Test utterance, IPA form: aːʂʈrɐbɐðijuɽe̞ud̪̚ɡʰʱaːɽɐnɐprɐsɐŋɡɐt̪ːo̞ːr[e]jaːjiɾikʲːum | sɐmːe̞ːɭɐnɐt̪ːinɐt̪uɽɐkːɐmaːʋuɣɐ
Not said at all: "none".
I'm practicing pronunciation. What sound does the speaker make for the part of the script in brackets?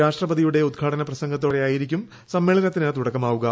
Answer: e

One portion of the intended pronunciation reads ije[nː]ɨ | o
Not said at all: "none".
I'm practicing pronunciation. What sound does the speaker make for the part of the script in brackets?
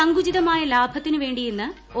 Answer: nː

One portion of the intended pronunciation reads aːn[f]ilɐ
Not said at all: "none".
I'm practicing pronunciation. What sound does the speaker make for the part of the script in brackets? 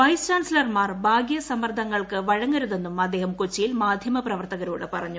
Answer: s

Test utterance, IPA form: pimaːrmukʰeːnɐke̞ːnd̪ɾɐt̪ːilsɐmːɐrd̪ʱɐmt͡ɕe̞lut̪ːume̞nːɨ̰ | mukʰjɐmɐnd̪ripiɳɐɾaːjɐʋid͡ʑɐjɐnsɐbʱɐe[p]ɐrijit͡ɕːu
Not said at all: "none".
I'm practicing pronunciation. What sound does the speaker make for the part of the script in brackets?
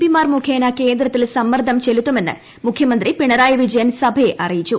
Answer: ʔ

